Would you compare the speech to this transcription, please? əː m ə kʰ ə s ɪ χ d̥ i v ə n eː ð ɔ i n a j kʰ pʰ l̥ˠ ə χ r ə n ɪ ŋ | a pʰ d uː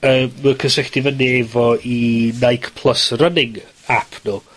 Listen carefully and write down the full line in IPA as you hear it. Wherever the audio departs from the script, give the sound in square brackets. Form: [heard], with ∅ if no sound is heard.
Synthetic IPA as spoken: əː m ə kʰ ə s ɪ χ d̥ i v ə n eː [v] ɔ i n a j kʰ pʰ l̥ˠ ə [s] r ə n ɪ ŋ | a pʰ [n] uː